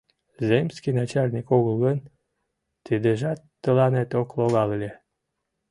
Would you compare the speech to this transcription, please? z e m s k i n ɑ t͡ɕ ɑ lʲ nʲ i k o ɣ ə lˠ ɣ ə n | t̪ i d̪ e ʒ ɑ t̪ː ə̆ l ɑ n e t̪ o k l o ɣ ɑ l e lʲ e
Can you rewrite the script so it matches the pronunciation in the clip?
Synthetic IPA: z e m s k i n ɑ t͡ɕ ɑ lʲ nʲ i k o ɣ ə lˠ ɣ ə n | t̪ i d̪ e ʒ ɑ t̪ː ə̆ l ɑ n e t̪ o k l o ɣ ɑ l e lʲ e

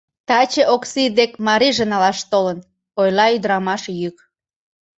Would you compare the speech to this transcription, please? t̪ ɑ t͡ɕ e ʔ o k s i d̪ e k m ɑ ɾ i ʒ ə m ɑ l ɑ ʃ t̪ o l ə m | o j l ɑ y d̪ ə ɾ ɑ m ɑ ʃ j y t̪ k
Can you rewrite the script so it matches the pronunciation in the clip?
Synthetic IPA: t̪ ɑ t͡ɕ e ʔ o k s i d̪ e k m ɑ ɾ i ʒ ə n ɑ l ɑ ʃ t̪ o l ə n | o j l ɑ y d̪ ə ɾ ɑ m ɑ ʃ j y k

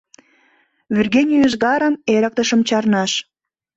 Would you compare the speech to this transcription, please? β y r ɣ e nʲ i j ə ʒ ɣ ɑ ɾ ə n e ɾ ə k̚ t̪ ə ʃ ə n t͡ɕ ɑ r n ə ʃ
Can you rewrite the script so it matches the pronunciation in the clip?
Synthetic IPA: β y r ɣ e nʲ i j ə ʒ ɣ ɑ ɾ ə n e ɾ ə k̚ t̪ ə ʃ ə m t͡ɕ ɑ r n ɑ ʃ

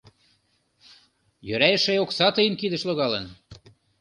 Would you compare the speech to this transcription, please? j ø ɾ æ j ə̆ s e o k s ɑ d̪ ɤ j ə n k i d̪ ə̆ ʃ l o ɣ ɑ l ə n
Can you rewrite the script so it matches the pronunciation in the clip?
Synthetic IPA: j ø ɾ æ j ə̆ ʃ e o k s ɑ t̪ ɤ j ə n k i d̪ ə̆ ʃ l o ɣ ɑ l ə n

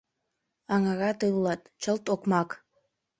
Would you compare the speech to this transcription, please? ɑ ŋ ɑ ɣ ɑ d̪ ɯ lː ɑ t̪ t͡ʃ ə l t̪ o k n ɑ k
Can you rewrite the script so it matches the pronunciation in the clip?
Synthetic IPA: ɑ ŋ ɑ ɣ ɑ t̪ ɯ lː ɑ t̪ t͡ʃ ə l t̪ o k m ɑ k

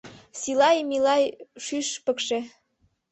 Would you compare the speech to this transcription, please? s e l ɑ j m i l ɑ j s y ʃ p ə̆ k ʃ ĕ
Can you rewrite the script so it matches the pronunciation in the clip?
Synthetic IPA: s i l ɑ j m i l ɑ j ʃ y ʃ p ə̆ k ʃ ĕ

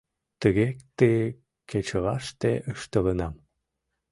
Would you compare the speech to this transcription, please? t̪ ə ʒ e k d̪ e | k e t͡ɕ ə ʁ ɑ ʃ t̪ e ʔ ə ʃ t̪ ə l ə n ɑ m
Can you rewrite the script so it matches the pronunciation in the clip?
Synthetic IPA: t̪ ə ɣ e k t̪ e | k e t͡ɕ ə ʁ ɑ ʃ t̪ e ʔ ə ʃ t̪ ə l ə n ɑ m

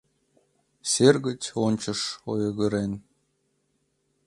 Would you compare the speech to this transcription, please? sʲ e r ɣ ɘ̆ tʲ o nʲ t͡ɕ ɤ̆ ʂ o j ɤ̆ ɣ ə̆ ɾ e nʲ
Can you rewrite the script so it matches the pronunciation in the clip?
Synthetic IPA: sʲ e r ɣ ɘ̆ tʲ o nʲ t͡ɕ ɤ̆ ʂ o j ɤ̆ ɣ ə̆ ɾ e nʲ

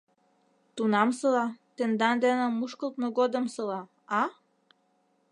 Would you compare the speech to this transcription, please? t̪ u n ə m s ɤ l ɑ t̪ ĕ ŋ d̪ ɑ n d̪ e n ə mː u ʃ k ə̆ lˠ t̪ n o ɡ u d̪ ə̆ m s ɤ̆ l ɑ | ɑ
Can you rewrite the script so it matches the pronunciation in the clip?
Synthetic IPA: t̪ u n ɑ m s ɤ l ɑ t̪ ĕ n d̪ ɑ n d̪ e n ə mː u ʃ k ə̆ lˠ t̪ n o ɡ o d̪ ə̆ m s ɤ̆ l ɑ | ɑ

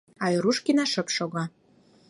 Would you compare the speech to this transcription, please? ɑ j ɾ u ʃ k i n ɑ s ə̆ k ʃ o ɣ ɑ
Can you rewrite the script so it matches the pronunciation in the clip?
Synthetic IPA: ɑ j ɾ u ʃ k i n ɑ ʃ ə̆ p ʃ o ɣ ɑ

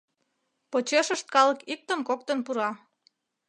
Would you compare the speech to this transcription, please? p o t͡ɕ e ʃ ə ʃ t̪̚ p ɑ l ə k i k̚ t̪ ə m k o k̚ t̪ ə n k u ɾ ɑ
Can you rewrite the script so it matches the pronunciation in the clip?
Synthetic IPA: p o t͡ɕ e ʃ ə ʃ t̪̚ k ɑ l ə k i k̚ t̪ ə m k o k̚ t̪ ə n p u ɾ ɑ

